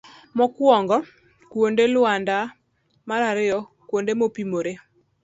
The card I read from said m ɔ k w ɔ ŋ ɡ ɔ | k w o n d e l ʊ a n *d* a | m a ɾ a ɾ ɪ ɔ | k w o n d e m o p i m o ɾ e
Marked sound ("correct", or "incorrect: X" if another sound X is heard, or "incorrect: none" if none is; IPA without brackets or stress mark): correct